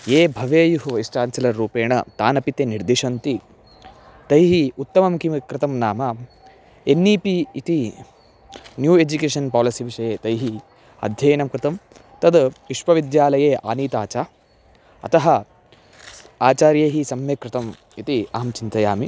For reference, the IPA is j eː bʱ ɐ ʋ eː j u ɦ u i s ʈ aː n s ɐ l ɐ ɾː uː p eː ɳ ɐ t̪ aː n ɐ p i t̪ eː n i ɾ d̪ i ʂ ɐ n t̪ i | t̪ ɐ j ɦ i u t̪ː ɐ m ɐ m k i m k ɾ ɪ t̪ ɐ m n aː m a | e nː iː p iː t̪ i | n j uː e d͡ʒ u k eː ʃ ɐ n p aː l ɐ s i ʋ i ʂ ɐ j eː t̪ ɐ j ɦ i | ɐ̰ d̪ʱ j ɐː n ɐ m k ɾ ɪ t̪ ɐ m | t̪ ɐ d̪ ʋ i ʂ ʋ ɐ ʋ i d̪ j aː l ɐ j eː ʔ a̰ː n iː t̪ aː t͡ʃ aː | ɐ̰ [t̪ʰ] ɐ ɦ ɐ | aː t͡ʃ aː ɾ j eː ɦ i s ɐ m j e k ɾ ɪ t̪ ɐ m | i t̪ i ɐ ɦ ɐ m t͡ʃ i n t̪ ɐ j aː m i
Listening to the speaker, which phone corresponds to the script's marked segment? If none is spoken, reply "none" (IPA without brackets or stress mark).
t̪